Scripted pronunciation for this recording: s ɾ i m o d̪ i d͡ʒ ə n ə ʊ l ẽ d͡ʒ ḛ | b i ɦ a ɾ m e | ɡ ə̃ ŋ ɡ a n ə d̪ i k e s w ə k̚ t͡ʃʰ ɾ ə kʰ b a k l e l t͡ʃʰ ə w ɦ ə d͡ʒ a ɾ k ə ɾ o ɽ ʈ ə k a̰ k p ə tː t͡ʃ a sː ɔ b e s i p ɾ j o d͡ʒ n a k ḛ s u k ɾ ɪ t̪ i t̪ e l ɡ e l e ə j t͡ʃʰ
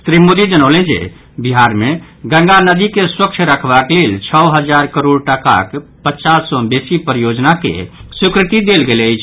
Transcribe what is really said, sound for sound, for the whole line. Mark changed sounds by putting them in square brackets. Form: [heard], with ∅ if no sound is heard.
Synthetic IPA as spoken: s ɾ i m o d̪ i d͡ʒ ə n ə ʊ l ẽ d͡ʒ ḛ | b i ɦ a ɾ m e | ɡ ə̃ ŋ ɡ a n ə d̪ i k e s w ə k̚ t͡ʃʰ ɾ ə kʰ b a k l e l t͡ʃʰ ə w ɦ ə d͡ʒ a ɾ k ə ɾ o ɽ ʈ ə k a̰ k p ə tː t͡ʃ a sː ɔ b e s i p ɾ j o d͡ʒ n a k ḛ s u k ɾ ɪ t̪ i [d̪] e l ɡ e l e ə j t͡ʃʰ